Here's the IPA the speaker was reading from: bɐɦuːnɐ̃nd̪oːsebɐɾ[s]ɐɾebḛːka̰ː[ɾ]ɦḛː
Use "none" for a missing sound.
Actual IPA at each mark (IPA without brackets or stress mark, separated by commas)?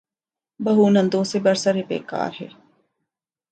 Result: s, ɾ